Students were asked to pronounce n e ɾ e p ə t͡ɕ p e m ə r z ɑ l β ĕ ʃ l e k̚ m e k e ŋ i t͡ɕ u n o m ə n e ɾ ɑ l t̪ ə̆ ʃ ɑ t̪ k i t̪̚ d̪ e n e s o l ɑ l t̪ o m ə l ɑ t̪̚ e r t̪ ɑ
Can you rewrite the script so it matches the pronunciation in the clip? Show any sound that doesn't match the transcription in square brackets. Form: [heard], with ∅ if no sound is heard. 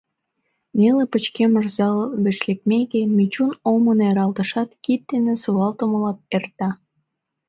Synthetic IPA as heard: n e [l] e p ə t͡ɕ [k] e m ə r z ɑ l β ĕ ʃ l e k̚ m e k e [m] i t͡ɕ u n o m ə n e ɾ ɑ l t̪ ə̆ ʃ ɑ t̪ k i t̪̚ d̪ e n e s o l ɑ l t̪ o m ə l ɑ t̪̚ e r t̪ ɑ